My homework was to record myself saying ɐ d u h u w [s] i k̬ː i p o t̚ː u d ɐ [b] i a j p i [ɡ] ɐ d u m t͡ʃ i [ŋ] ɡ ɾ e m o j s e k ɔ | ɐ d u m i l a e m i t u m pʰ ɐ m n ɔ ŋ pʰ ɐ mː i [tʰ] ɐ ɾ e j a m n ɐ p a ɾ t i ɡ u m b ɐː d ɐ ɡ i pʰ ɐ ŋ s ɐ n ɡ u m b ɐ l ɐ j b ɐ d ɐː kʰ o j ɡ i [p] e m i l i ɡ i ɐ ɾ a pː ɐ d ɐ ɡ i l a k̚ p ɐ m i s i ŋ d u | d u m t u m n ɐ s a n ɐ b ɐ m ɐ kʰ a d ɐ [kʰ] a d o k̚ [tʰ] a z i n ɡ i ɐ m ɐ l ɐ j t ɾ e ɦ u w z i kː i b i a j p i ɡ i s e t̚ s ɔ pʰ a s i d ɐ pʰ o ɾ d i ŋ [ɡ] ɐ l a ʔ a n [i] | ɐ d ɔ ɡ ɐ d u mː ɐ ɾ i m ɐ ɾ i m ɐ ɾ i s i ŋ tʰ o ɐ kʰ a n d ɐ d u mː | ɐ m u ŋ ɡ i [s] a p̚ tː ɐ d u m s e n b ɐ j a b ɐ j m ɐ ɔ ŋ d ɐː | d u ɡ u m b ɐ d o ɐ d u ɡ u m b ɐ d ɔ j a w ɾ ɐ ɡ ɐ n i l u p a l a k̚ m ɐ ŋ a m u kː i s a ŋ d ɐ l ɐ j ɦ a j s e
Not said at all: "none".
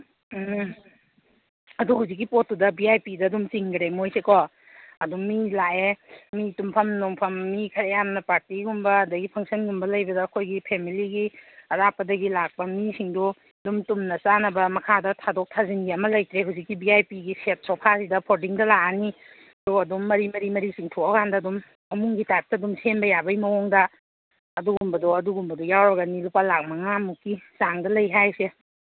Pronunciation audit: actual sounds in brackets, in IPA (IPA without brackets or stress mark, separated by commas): z, b, d, ŋ, kʰ, pʰ, tʰ, tʰ, d, i, t